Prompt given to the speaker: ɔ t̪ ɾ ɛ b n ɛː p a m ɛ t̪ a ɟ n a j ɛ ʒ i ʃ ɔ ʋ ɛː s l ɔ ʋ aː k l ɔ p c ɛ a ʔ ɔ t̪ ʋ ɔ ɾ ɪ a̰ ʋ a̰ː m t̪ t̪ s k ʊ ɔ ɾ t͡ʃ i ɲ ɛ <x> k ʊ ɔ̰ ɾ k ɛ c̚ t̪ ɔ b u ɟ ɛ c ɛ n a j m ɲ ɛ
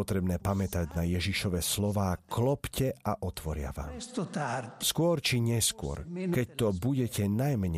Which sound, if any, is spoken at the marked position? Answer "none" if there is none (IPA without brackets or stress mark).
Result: s